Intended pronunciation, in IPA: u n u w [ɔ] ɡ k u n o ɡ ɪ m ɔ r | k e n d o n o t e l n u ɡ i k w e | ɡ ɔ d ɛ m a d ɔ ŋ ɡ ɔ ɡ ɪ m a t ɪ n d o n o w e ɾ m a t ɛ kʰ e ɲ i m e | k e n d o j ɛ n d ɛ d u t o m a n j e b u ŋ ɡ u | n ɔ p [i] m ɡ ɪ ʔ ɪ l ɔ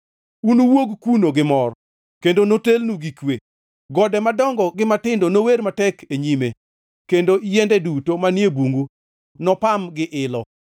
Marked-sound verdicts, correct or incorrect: incorrect, incorrect

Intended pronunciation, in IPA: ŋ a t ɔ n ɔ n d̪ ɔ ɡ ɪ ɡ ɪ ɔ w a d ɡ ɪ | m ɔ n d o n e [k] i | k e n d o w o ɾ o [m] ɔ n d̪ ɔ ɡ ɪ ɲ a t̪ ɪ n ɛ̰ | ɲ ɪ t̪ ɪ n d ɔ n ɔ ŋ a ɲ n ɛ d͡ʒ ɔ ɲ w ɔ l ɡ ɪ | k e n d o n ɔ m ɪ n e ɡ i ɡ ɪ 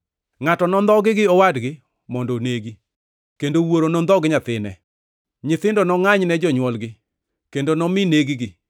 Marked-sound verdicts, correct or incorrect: incorrect, incorrect

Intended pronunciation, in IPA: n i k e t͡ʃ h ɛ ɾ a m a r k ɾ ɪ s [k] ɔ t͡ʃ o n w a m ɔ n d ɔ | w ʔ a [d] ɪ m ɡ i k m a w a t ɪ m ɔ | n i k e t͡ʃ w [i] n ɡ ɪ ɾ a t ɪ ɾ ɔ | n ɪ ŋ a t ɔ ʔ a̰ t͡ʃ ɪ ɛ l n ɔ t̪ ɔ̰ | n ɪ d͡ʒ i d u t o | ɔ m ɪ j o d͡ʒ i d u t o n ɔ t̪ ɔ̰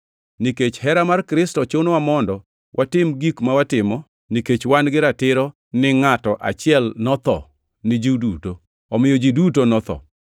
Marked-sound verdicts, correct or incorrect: incorrect, incorrect, incorrect

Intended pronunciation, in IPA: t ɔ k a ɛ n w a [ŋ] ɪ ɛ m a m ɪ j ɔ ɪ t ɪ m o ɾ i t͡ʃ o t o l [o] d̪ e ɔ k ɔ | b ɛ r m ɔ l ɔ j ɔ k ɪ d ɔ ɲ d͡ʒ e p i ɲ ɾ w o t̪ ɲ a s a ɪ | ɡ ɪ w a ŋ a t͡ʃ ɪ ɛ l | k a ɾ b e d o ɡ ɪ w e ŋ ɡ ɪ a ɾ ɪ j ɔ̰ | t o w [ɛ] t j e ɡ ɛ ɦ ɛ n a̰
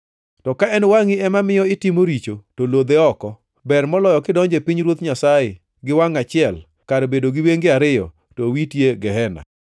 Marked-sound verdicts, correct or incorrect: correct, correct, incorrect

